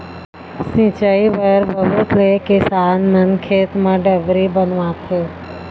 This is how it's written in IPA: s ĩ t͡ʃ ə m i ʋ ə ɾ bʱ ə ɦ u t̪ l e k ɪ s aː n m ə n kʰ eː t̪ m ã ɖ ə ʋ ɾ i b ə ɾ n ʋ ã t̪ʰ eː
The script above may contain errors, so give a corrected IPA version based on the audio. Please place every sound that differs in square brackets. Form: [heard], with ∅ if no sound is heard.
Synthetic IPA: s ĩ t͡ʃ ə [∅] i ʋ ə ɾ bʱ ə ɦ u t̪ l e k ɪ s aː n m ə n kʰ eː t̪ m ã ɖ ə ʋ ɾ i b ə [∅] n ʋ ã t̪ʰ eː